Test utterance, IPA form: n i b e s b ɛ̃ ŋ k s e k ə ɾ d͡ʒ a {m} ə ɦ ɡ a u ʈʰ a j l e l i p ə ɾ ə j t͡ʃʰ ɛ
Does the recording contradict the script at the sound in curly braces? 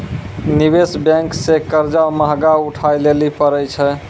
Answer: no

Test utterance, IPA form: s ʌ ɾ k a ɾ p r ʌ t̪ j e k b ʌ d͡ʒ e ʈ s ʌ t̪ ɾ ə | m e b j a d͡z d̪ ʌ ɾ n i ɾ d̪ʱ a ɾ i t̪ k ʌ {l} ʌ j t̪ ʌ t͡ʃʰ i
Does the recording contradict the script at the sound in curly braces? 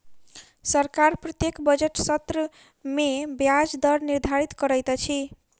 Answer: yes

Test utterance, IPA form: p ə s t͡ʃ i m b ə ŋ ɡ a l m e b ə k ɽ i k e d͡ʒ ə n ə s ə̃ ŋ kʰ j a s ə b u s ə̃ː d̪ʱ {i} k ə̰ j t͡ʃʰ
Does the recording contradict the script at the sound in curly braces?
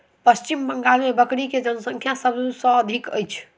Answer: no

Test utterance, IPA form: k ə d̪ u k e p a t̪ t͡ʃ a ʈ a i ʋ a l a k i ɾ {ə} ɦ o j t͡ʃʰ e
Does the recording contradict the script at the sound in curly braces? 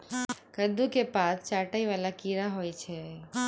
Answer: yes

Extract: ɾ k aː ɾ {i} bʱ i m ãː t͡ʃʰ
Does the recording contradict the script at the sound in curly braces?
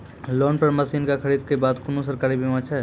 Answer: no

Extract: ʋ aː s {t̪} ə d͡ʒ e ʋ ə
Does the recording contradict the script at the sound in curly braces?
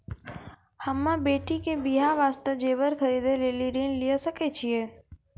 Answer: no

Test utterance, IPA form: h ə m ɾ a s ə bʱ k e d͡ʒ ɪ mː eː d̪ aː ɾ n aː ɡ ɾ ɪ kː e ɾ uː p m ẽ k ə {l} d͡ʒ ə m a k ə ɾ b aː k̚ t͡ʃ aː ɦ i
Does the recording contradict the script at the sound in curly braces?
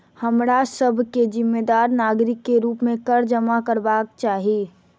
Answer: yes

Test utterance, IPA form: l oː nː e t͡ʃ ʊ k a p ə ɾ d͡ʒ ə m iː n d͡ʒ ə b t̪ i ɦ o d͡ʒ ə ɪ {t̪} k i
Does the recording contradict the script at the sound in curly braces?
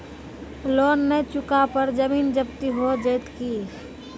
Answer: no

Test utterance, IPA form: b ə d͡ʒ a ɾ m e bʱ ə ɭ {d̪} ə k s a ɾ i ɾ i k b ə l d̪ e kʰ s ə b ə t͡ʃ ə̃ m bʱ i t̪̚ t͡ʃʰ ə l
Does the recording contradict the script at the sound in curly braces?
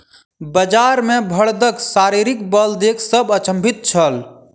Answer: no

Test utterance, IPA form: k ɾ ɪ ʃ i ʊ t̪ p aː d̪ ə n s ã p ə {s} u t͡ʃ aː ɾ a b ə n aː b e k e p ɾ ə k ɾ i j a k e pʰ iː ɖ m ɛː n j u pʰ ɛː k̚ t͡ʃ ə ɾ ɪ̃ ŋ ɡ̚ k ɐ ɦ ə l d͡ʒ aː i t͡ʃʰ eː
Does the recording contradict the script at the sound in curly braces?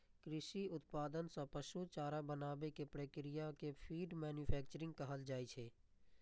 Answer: yes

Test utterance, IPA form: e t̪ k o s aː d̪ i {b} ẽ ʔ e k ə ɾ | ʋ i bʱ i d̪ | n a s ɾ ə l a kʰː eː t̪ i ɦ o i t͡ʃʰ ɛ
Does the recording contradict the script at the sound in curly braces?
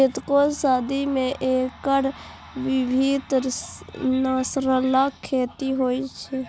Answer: yes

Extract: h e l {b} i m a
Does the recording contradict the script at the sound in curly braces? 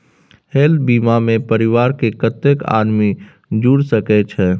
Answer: no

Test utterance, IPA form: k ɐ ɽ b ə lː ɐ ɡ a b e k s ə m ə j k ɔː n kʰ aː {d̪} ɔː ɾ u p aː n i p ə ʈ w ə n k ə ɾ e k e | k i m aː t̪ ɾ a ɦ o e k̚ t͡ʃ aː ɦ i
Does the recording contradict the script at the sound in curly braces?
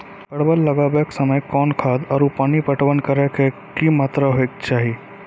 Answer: no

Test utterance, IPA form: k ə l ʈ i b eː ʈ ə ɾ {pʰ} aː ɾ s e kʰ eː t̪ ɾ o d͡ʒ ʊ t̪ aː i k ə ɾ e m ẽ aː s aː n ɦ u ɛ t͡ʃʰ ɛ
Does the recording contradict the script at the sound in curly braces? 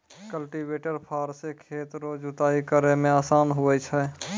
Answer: no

